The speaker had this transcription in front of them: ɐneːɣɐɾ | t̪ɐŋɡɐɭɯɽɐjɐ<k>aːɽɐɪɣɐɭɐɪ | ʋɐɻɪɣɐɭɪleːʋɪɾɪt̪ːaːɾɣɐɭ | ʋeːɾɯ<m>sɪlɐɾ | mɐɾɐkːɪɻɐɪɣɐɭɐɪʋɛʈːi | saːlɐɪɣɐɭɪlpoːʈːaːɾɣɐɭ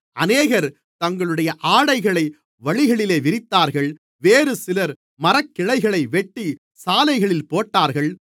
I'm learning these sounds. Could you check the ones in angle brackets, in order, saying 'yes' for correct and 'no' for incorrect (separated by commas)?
no, no